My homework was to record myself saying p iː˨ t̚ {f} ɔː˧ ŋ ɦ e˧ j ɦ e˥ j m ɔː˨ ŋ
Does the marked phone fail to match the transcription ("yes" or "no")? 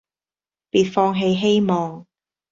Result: no